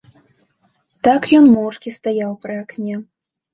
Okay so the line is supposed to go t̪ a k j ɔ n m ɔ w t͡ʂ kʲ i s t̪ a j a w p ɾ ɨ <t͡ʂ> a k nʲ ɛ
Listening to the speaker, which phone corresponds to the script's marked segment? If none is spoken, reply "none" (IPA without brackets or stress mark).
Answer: none